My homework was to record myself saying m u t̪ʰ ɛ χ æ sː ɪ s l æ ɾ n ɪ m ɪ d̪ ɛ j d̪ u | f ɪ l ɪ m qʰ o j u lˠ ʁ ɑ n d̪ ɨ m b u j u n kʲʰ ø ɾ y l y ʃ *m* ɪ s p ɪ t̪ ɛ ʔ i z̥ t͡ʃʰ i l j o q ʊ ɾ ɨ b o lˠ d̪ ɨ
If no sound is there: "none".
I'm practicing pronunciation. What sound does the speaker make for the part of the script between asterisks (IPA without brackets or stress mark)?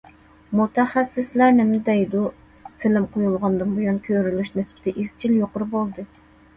n